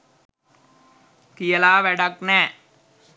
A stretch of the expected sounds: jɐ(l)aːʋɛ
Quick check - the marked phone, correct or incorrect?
correct